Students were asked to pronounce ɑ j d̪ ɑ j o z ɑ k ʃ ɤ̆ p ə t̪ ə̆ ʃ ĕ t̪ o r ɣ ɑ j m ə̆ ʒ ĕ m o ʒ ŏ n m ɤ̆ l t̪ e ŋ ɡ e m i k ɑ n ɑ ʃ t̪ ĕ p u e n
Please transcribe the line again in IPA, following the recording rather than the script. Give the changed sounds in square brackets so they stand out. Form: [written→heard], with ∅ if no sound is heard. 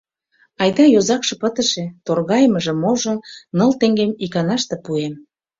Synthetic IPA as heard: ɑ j d̪ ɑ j o z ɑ k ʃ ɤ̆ p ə t̪ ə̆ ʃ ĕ t̪ o r ɣ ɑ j m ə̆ ʒ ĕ m o ʒ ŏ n [m→n] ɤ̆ l t̪ e ŋ ɡ e m i k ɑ n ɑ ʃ t̪ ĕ p u e [n→m]